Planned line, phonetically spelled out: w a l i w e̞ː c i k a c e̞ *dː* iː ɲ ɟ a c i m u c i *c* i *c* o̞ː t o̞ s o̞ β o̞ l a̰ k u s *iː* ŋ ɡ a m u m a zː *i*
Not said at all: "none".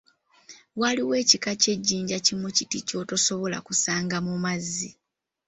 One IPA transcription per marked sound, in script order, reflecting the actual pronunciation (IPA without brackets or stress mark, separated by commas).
ɟː, t, c, aː, i